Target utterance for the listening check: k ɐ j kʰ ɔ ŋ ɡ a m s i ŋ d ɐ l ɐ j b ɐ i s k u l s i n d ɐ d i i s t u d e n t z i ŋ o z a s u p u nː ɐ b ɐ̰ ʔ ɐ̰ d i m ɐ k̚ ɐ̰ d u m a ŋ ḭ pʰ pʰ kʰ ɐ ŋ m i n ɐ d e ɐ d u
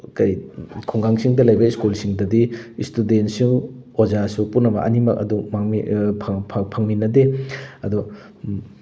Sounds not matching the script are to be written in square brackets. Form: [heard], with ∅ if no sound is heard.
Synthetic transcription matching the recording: k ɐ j kʰ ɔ ŋ ɡ a [ŋ] s i ŋ d ɐ l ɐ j b ɐ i s k u l s i [ŋ] d ɐ d i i s t u d e n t [s] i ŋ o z a s u p u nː ɐ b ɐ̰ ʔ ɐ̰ [n] i m ɐ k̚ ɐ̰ d u m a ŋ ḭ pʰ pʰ [pʰ] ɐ ŋ m i n ɐ d e ɐ d u